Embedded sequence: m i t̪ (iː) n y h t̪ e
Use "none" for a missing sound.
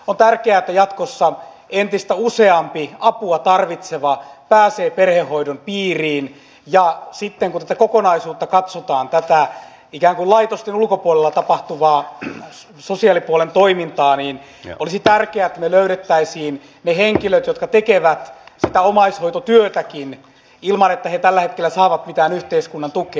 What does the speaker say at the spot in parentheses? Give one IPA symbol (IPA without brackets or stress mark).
æː